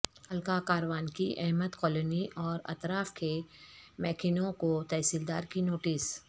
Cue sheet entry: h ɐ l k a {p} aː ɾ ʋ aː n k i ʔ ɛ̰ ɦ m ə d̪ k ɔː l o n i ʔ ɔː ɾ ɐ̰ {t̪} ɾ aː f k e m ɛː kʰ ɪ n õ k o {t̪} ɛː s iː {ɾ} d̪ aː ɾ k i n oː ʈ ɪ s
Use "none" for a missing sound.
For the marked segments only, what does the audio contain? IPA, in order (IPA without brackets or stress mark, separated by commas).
k, t̪, t̪, l